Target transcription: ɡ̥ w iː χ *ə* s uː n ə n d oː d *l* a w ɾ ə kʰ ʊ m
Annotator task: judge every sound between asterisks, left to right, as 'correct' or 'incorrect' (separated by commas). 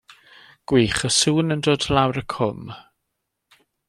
correct, correct